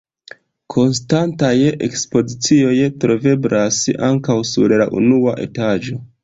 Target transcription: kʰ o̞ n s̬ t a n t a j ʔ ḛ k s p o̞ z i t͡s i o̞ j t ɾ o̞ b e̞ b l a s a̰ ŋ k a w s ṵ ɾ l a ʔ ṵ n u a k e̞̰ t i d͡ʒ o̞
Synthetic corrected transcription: kʰ o̞ n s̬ t a n t a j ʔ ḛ k s p o̞ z i t͡s i o̞ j t ɾ o̞ v e̞ b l a s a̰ ŋ k a w s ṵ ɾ l a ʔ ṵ n u a ʔ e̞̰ t a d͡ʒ o̞

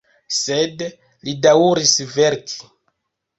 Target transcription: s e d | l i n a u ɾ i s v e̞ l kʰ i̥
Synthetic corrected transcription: s e d | l i d a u ɾ i s v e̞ ɾ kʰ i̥

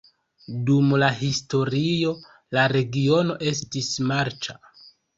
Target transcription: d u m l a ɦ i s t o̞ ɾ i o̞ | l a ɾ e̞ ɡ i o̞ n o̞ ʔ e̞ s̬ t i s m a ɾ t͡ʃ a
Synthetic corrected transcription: d u m l a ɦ i s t o̞ ɾ i o̞ | l a ɾ e̞ ɡ i o̞ n o̞ ʔ e̞ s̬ t i s m a ɾ t͡ʃ a

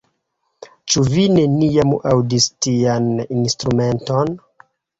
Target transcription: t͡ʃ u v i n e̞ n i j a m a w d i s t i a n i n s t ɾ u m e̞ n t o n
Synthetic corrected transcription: t͡ʃ u v i n e̞ n i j a m a w d i s t i a n i n s t ɾ u m e̞ n t o n

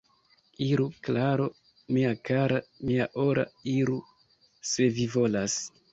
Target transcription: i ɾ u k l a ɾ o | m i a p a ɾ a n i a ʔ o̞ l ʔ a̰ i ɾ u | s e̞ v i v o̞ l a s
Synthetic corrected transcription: i ɾ u k l a ɾ o | m i a k a ɾ a m i a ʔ o̞ ɾ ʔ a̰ i ɾ u | s e̞ v i v o̞ l a s

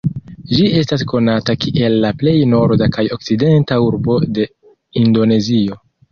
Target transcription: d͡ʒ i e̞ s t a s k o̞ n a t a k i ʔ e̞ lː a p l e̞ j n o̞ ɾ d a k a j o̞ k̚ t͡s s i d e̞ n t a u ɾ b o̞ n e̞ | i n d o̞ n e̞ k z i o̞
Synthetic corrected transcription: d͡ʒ i e̞ s t a s k o̞ n a t a k i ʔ e̞ lː a p l e̞ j n o̞ ɾ d a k a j o̞ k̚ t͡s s i d e̞ n t a u ɾ b o̞ d e̞ | i n d o̞ n e̞ z i o̞

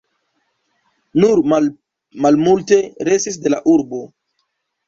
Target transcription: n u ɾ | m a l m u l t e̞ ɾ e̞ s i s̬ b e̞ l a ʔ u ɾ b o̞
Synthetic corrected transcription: n u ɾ | m a l m u l t e̞ ɾ e̞ s i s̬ d e̞ l a ʔ u ɾ b o̞

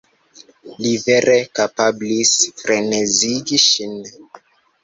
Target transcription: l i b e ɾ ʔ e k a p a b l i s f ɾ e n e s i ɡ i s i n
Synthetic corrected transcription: l i v e ɾ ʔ e k a p a b l i s f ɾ e n e z i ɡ i ʃ i n

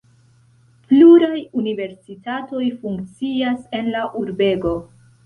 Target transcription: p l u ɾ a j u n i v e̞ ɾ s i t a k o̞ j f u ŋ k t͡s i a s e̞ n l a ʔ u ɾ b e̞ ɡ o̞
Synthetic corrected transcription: p l u ɾ a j u n i v e̞ ɾ s i t a t o̞ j f u ŋ k t͡s i a s e̞ n l a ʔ u ɾ b e̞ ɡ o̞

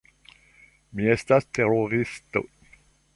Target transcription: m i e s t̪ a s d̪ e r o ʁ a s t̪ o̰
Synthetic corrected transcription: m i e s t̪ a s t̪ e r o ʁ i s t̪ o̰

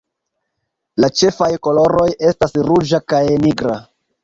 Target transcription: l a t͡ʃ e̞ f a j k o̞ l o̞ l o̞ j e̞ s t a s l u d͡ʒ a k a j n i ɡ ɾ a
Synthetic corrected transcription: l a t͡ʃ e̞ f a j k o̞ l o̞ ɾ o̞ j e̞ s t a s ɾ u d͡ʒ a k a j n i ɡ ɾ a

